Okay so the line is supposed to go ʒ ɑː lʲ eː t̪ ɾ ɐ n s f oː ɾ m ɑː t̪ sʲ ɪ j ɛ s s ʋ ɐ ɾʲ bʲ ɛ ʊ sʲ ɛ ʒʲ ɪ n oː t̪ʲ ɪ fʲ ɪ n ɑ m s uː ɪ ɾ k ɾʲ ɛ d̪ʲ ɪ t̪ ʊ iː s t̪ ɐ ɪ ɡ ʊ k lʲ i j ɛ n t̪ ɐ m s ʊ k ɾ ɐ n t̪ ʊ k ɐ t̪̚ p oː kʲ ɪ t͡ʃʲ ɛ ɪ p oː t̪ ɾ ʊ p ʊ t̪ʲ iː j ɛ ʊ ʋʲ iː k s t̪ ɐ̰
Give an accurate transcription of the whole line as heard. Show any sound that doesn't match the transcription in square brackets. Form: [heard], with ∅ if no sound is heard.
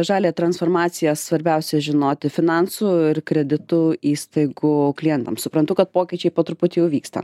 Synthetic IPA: ʒ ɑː lʲ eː t̪ ɾ ɐ n s f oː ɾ m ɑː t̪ sʲ ɪ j ɛ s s ʋ ɐ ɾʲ bʲ ɛ ʊ sʲ ɛ ʒʲ ɪ n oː t̪ʲ ɪ fʲ ɪ n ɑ [n] s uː ɪ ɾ k ɾʲ ɛ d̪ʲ ɪ t̪ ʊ iː s t̪ ɐ ɪ ɡ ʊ k lʲ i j ɛ n t̪ ɐ m s ʊ [p] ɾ ɐ n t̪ ʊ k ɐ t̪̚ p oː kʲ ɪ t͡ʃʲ ɛ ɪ p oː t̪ ɾ ʊ p ʊ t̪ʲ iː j ɛ ʊ ʋʲ iː k s t̪ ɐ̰